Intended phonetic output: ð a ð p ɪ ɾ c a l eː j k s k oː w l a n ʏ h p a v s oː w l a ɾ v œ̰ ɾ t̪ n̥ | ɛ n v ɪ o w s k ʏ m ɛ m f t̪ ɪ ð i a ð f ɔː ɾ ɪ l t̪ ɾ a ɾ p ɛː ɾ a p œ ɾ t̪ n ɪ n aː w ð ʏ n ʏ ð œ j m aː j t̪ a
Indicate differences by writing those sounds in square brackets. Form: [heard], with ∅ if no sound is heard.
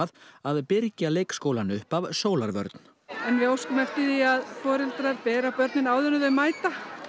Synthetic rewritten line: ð a ð p ɪ ɾ c a l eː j k s k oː w l a n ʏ h p a v s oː w l a ɾ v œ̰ ɾ t̪ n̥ | ɛ n v ɪ o w s k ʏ m ɛ [∅] f t̪ ɪ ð i a ð f ɔː ɾ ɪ l t̪ ɾ a ɾ p ɛː ɾ a p œ ɾ t̪ n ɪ n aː w ð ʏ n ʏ ð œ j m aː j t̪ a